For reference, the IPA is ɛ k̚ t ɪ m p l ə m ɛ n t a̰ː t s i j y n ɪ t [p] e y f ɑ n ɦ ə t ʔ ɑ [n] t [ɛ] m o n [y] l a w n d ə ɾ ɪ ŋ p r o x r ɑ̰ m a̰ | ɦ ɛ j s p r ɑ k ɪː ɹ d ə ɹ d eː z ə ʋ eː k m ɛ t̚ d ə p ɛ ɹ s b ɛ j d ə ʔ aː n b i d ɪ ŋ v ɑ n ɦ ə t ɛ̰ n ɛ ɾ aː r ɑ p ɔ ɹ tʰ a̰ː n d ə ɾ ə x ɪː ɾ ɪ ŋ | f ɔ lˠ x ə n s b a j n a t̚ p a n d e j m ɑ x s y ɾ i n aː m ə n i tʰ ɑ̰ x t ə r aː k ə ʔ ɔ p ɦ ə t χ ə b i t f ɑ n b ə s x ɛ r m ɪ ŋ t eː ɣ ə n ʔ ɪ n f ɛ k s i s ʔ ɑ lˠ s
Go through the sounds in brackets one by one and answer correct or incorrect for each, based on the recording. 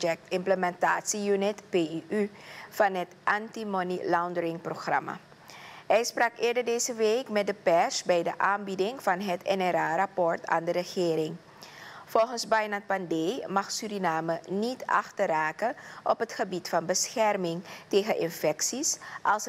correct, correct, incorrect: i, incorrect: i

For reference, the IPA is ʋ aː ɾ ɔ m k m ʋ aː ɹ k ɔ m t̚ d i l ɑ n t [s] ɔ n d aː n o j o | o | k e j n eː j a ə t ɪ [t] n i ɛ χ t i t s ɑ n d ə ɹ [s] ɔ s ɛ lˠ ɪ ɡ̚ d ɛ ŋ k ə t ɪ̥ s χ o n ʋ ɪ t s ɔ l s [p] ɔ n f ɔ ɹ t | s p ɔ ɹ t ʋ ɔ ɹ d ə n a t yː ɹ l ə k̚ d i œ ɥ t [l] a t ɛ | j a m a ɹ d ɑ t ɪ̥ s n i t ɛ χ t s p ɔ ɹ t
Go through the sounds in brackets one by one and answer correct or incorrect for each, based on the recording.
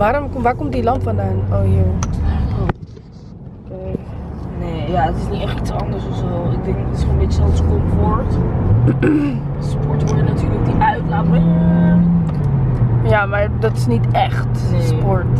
incorrect: f, incorrect: s, correct, incorrect: k, correct

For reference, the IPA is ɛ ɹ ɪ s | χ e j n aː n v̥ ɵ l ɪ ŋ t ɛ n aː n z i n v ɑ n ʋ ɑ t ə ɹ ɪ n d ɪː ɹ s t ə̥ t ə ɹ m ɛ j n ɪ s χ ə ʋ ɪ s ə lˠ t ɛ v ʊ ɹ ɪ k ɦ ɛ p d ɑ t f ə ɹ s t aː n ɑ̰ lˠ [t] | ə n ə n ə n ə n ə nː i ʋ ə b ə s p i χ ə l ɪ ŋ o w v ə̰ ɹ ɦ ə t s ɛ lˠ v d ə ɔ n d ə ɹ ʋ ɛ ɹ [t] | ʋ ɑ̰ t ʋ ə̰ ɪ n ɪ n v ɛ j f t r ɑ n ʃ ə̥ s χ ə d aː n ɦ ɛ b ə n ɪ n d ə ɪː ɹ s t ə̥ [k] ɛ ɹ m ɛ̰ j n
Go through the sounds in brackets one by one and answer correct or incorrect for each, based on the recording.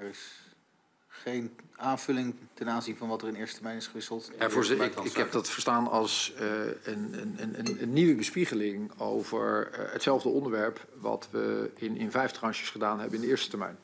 incorrect: s, incorrect: p, incorrect: t

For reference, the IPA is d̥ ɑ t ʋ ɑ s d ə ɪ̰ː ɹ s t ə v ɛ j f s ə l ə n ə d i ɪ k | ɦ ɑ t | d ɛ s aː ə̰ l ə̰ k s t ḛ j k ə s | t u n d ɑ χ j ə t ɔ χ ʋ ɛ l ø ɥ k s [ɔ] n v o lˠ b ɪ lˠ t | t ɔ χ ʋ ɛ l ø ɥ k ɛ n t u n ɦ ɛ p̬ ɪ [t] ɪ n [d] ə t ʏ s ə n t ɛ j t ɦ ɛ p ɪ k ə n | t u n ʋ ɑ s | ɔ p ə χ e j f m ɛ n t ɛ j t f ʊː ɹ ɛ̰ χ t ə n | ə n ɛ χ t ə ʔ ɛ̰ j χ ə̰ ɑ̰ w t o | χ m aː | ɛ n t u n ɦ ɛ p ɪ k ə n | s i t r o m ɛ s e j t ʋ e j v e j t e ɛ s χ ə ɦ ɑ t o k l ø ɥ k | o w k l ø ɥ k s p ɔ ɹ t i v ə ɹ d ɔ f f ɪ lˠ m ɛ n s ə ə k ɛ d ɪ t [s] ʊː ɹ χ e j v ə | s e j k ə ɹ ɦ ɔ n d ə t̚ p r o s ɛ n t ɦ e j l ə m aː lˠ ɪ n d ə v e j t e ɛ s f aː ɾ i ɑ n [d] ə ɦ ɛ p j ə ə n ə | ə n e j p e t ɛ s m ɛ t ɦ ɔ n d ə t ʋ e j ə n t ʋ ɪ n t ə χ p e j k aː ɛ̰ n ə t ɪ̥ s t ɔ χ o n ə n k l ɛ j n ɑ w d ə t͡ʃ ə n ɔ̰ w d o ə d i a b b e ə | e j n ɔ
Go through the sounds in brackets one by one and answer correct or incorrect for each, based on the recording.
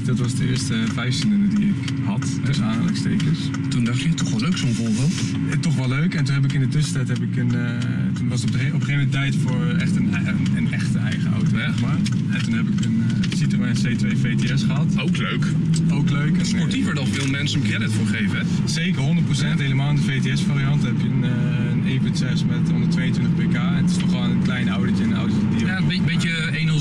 incorrect: o, incorrect: k, correct, incorrect: f, incorrect: t

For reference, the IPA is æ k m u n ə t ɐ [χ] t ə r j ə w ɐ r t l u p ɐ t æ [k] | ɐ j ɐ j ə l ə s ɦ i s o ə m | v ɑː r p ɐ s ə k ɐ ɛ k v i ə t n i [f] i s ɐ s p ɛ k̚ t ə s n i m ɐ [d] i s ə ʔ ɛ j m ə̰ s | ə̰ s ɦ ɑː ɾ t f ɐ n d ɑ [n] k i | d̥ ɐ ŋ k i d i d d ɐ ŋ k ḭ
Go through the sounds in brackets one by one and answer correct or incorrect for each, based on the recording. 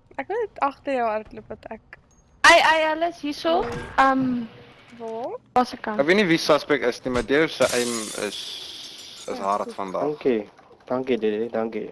correct, correct, incorrect: v, correct, incorrect: ŋ

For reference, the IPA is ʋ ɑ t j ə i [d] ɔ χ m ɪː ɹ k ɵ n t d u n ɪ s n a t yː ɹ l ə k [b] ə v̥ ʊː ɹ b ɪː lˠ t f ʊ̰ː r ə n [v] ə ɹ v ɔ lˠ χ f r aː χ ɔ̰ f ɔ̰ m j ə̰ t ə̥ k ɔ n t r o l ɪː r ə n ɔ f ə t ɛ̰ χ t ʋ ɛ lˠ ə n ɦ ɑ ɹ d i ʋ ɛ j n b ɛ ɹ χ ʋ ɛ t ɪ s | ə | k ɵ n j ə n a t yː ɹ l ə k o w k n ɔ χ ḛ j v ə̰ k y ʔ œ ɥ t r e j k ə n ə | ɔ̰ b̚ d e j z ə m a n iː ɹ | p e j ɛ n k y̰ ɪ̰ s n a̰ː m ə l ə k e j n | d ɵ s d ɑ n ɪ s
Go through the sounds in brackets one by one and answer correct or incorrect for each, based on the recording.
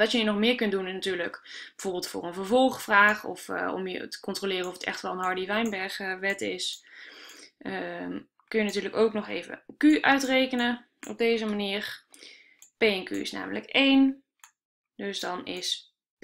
incorrect: n, correct, correct

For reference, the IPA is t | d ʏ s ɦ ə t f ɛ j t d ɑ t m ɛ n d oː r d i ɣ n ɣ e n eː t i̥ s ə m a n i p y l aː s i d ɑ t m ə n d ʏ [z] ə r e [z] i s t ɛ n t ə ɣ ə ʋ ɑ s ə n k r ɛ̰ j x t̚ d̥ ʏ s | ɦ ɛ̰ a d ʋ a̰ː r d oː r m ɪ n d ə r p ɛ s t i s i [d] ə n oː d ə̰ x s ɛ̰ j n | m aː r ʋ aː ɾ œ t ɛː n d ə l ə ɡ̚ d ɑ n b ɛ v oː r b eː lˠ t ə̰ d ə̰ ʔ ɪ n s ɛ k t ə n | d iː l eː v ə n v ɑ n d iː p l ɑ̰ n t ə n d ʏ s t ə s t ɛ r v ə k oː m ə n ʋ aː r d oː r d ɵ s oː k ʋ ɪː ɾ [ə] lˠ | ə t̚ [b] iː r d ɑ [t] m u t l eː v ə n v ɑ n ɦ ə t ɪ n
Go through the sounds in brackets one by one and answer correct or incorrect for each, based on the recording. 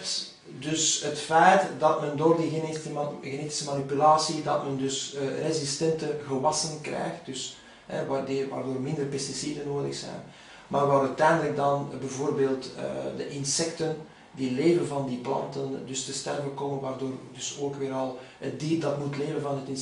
incorrect: s, correct, correct, incorrect: ɑ, incorrect: d, correct

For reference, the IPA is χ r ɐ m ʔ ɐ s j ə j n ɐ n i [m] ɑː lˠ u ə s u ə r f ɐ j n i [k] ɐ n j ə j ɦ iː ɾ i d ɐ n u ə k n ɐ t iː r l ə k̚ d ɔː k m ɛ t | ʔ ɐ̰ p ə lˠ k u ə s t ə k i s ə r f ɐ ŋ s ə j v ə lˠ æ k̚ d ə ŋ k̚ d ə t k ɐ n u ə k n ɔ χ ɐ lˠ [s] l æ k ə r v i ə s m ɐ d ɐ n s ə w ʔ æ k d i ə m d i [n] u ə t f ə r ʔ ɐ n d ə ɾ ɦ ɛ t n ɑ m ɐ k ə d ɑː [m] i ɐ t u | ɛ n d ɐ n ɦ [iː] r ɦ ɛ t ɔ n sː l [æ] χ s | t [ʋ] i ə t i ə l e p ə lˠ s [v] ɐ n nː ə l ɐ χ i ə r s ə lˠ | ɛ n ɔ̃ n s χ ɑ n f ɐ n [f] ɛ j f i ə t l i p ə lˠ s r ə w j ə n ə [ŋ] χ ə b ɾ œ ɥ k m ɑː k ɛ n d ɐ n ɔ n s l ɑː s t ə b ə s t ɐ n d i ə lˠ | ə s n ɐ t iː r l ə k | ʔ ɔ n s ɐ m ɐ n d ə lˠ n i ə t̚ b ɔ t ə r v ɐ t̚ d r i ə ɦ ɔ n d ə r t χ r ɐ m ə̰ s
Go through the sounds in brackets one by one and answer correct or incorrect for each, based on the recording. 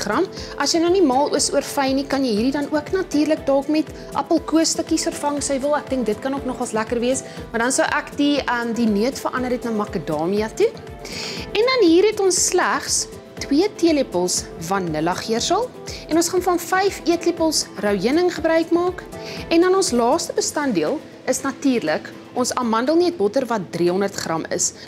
correct, correct, correct, correct, correct, correct, correct, incorrect: w, correct, correct, correct

